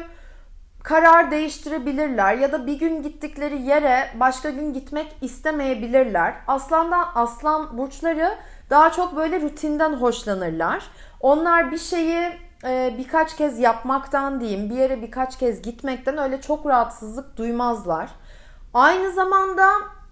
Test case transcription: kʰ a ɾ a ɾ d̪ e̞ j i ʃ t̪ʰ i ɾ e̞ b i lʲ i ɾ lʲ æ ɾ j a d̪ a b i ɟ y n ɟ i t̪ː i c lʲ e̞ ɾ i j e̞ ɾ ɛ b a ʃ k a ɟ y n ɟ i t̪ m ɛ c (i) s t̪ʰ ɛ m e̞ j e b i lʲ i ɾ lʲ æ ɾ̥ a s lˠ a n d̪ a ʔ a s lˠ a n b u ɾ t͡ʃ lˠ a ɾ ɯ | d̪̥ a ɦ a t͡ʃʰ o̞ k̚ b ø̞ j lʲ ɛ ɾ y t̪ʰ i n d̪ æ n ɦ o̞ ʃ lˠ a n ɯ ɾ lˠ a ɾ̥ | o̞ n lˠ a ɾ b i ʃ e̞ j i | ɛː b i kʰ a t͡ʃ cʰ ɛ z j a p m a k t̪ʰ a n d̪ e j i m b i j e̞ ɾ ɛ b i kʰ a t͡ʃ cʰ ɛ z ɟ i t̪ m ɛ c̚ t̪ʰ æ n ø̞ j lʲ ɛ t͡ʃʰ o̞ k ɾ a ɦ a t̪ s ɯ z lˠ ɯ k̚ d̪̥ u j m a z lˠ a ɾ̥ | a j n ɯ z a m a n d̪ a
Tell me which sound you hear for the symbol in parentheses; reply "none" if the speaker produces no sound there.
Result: i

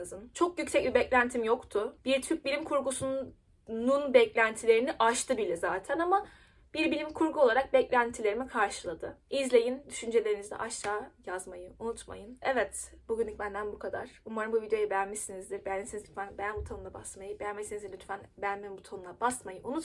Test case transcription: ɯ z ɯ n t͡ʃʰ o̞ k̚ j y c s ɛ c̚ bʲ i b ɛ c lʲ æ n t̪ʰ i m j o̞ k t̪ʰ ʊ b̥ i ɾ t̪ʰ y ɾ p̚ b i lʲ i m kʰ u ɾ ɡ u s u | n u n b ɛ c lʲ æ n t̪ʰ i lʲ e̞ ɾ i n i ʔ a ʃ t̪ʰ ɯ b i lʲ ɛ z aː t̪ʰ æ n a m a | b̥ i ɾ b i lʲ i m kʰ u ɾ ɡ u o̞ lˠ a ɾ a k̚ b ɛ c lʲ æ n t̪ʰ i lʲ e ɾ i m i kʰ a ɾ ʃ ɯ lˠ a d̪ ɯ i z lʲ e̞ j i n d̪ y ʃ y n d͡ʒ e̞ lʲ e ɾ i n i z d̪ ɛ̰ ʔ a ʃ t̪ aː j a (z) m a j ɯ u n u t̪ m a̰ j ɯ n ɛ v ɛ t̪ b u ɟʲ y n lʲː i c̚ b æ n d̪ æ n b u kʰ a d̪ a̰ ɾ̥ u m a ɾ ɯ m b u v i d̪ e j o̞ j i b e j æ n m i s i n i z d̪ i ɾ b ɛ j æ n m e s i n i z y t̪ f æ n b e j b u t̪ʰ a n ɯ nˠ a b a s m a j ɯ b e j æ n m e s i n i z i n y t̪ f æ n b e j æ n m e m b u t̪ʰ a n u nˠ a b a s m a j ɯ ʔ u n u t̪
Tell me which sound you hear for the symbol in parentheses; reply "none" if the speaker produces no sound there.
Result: z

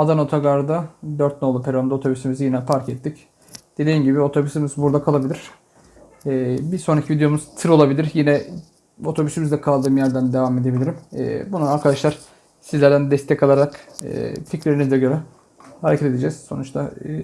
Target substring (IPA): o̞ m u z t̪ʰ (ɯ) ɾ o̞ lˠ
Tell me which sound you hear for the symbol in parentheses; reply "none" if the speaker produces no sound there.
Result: ɯ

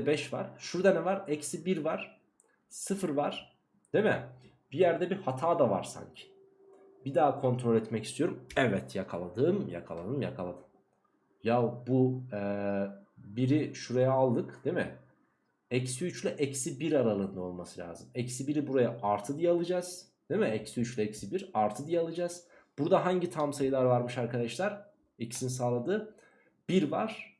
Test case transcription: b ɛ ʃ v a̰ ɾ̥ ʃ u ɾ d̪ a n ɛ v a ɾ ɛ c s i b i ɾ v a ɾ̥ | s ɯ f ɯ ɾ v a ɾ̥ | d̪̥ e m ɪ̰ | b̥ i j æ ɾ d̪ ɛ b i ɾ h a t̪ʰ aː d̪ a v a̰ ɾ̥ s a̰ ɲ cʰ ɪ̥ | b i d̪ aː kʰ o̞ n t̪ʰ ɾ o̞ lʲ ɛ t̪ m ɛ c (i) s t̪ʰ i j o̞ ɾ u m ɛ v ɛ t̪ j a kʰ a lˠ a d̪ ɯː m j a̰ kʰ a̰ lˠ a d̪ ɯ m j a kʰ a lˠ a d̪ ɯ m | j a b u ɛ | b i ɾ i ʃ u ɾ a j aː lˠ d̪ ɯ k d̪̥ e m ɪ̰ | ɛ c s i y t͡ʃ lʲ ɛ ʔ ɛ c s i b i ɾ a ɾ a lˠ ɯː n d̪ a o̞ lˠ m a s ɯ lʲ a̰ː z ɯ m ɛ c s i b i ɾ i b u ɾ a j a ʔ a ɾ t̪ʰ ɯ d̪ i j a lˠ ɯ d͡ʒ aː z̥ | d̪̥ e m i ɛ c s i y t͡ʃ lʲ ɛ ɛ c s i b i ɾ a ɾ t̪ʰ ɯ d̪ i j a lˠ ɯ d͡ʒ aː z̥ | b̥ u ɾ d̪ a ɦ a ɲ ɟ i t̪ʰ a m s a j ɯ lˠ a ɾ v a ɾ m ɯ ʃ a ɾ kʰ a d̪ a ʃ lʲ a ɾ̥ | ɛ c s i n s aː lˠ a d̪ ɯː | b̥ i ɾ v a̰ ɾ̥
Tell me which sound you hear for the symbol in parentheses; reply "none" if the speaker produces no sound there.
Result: i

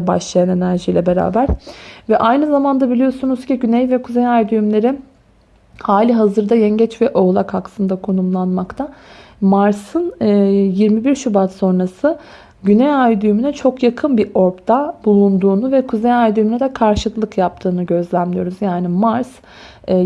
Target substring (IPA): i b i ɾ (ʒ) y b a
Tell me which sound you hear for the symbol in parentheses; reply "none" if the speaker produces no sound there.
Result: ʃ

